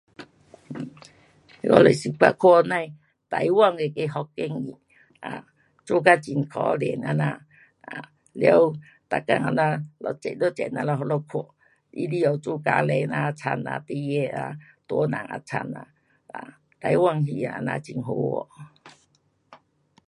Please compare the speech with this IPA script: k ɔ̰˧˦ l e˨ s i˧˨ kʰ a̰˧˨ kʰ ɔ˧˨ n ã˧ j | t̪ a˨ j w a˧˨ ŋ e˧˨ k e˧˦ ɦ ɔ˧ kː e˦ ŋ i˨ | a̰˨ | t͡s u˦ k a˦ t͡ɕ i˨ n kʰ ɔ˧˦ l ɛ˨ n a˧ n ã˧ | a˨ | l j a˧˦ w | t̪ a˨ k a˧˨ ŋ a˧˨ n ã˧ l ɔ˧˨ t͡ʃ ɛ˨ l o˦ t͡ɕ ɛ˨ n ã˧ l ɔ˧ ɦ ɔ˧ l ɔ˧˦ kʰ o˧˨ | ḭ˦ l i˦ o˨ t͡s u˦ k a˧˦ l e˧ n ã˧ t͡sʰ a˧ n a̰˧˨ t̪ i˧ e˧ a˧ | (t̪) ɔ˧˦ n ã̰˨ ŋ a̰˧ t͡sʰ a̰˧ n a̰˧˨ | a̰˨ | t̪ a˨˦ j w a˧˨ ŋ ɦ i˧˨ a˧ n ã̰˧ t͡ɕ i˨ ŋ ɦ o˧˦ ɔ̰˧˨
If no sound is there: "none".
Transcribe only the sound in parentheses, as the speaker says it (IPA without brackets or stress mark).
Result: t̪